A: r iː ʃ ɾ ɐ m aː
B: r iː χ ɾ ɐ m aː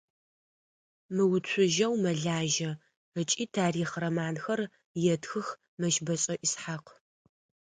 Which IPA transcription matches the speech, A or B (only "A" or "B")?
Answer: B